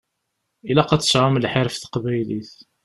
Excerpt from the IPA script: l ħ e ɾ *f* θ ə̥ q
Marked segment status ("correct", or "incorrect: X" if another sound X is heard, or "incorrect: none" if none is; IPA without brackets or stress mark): correct